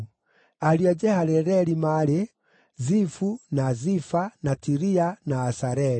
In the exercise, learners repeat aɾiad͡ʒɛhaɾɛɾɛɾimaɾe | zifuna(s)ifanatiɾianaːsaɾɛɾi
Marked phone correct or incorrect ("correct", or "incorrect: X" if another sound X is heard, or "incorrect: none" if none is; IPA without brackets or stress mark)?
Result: incorrect: z